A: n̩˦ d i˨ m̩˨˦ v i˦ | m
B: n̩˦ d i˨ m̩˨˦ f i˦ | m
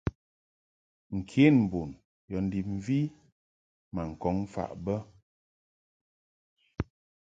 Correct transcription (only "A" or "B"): A